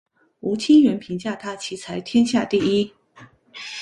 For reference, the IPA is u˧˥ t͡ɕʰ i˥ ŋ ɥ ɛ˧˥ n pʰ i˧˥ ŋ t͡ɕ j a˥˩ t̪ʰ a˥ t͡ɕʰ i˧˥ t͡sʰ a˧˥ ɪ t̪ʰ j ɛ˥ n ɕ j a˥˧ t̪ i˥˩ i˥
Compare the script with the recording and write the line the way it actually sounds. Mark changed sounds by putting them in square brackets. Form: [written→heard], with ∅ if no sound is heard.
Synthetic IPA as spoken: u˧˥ t͡ɕʰ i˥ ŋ ɥ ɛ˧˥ n pʰ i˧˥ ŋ t͡ɕ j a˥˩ t̪ʰ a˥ t͡ɕʰ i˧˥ t͡sʰ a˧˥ ɪ t̪ʰ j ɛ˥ n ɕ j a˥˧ t̪ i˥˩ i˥